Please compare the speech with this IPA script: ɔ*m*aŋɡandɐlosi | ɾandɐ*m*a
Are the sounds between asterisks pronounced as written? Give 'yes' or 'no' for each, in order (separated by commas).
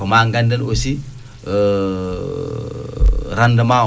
yes, yes